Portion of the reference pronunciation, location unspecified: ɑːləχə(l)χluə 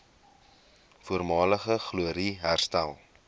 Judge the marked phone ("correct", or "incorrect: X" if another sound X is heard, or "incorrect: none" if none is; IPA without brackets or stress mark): incorrect: none